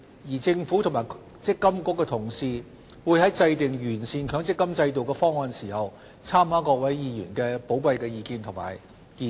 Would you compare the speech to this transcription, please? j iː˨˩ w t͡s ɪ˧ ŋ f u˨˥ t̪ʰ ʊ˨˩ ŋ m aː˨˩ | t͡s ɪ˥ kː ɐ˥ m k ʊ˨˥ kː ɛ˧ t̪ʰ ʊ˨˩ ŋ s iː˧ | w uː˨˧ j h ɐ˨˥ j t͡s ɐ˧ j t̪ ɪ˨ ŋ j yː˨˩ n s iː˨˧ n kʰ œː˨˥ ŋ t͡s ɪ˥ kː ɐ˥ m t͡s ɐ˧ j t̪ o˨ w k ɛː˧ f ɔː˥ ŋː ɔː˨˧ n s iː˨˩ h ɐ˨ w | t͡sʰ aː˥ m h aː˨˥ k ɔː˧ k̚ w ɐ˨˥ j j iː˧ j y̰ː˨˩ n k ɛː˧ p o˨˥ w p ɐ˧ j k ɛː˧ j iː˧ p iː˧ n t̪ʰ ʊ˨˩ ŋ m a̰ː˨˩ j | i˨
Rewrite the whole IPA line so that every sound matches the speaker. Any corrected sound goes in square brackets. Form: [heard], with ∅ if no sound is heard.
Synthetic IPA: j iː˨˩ [∅] t͡s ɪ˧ ŋ f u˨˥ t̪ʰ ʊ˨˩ ŋ m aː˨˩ | t͡s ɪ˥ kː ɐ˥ m k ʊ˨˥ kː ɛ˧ t̪ʰ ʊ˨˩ ŋ s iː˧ | w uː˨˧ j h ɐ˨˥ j t͡s ɐ˧ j t̪ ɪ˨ ŋ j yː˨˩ n s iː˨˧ n kʰ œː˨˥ ŋ t͡s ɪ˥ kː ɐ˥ m t͡s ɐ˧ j t̪ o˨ w k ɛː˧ f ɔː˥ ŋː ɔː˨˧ n s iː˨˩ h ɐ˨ w | t͡sʰ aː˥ m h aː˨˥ k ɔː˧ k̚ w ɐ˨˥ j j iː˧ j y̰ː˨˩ n k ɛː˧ p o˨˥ w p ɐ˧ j k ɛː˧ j iː˧ [k] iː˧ n t̪ʰ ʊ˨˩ ŋ m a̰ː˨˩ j | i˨

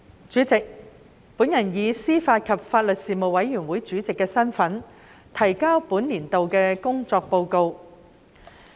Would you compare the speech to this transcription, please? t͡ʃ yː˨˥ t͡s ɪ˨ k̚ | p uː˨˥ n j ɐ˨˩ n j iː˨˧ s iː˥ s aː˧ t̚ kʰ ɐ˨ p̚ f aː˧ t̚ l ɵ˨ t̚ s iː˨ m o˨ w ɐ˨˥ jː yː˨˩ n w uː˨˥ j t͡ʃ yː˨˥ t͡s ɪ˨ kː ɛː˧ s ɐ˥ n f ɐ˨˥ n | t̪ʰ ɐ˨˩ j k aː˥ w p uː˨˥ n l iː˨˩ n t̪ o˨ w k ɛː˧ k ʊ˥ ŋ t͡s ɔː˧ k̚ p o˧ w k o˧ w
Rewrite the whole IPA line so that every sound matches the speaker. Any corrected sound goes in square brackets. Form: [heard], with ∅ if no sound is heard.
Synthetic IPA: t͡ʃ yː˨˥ t͡s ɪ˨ k̚ | p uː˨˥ n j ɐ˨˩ n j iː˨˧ s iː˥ [f] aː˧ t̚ kʰ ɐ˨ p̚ f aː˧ t̚ l ɵ˨ t̚ s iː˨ m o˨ w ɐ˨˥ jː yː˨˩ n w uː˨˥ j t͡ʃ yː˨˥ t͡s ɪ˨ kː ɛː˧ s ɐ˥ n f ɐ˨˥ n | t̪ʰ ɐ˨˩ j k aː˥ w p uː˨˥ n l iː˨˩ n t̪ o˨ w k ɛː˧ k ʊ˥ ŋ t͡s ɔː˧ k̚ p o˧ w k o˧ w

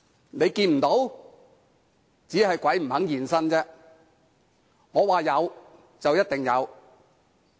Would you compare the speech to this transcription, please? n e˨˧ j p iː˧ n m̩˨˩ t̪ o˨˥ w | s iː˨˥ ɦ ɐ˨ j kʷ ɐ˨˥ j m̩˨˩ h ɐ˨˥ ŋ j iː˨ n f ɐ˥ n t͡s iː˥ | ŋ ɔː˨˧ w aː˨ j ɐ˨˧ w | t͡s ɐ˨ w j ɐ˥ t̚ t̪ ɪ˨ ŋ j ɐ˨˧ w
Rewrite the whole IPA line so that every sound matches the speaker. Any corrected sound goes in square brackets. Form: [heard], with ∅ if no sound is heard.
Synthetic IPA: n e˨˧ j [k] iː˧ n m̩˨˩ t̪ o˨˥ w | [t͡s] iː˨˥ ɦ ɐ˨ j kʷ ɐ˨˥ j m̩˨˩ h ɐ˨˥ ŋ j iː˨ n [s] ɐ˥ n t͡s [ɛː˥] | ŋ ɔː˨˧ w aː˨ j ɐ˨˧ w | t͡s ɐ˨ w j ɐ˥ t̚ t̪ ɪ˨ ŋ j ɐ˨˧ w

